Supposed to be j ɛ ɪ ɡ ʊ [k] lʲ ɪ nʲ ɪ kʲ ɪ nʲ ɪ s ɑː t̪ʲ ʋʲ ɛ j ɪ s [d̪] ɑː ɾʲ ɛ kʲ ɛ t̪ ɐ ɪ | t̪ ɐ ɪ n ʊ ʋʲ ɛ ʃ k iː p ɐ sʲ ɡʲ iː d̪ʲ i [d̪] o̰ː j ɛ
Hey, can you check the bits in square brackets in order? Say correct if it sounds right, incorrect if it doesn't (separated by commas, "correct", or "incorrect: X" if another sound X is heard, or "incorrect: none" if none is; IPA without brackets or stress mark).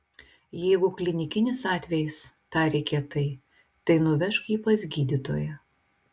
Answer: correct, incorrect: t̪, incorrect: t̪